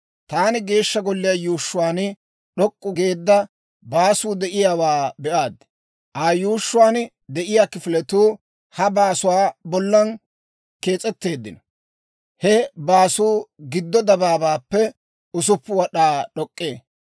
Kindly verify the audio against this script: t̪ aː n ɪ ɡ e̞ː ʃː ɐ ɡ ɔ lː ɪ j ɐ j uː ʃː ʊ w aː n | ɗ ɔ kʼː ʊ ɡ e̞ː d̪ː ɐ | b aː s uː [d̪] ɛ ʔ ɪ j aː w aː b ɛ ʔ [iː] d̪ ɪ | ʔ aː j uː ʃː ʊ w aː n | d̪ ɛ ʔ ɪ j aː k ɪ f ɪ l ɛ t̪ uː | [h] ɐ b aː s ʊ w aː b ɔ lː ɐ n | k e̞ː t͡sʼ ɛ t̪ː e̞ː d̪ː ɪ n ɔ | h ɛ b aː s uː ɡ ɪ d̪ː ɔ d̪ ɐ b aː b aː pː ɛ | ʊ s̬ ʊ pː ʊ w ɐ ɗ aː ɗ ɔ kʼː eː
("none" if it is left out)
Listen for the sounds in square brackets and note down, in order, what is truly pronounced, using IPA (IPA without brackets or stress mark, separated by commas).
d̪, aː, h